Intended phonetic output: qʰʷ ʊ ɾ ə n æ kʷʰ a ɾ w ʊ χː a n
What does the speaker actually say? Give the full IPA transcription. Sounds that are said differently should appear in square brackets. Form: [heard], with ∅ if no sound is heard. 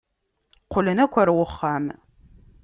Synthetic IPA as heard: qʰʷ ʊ [l] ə n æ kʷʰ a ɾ w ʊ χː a [m]